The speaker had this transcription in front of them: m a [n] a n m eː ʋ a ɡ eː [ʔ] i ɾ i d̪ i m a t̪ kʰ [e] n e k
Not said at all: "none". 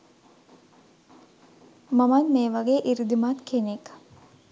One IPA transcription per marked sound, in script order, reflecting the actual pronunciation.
m, ʔ, e

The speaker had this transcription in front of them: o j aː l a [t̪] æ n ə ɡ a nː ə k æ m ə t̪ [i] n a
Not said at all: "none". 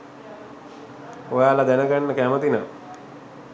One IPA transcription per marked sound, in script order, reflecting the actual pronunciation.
d̪, i

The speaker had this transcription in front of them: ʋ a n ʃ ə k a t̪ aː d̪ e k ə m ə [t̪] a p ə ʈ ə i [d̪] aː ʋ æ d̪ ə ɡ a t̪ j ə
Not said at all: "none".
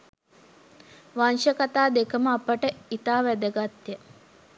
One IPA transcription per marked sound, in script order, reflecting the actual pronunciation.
none, t̪

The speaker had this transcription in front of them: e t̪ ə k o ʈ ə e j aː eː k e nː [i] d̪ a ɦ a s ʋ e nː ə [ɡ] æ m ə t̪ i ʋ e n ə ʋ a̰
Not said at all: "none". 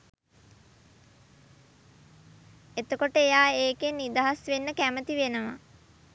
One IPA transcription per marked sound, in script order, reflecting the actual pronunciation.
i, k

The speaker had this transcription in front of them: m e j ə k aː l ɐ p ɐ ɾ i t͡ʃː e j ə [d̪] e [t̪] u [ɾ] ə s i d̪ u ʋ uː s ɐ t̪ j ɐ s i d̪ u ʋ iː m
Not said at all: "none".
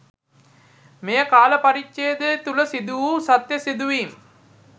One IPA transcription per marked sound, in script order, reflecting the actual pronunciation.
d̪, t̪, l

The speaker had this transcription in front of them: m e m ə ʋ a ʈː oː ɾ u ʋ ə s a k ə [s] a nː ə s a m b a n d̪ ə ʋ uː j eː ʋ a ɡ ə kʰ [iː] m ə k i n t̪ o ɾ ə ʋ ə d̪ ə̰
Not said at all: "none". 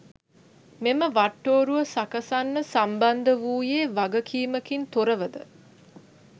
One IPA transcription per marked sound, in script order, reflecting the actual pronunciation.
s, iː

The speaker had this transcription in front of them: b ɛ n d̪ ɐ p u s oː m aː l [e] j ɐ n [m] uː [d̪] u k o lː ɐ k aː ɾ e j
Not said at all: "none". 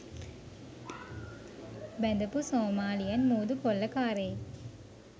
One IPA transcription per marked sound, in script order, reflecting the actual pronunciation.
i, m, d̪

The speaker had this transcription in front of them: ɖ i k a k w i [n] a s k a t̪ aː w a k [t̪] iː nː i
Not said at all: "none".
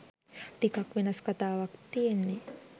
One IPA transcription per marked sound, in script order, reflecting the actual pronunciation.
n, t̪

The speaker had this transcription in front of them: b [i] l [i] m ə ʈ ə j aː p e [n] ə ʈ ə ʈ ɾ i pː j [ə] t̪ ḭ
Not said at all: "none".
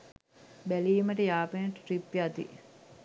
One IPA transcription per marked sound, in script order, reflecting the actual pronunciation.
æ, iː, n, a

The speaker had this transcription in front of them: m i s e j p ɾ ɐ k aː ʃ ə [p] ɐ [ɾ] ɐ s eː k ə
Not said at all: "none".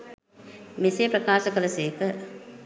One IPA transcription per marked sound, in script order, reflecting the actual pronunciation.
k, l

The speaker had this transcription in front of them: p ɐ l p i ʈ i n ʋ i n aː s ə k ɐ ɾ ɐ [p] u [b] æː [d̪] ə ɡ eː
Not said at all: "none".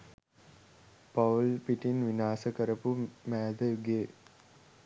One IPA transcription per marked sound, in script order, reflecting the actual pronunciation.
p, m, d̪

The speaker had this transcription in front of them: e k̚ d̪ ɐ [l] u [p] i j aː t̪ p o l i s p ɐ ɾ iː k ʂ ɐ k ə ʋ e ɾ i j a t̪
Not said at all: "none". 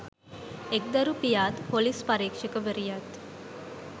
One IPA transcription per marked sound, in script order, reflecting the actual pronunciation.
ɾ, p

